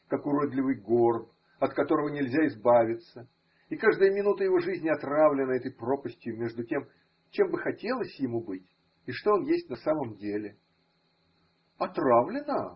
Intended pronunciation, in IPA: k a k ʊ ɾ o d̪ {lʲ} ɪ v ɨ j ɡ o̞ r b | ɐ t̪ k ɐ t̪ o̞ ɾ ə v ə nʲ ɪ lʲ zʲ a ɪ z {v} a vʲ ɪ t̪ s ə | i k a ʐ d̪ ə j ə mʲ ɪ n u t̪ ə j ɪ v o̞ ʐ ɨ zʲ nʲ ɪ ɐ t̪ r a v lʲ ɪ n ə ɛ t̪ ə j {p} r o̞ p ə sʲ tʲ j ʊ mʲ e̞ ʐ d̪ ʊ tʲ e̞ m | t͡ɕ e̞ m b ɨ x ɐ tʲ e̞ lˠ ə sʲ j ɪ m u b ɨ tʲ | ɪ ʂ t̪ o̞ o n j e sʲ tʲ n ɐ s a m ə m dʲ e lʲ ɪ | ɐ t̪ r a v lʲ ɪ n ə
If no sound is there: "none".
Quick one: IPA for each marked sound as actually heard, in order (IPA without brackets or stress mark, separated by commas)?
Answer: lʲ, b, p